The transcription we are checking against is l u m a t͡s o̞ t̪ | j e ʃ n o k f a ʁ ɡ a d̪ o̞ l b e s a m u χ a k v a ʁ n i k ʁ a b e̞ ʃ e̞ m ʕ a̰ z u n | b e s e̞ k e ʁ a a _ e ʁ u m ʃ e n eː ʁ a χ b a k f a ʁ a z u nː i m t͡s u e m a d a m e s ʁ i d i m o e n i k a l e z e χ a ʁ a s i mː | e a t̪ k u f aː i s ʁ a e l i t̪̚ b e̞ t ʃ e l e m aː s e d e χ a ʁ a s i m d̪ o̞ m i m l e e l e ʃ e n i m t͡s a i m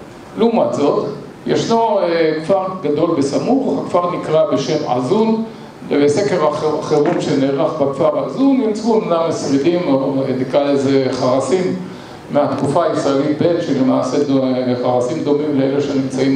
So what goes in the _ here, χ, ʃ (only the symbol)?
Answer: χ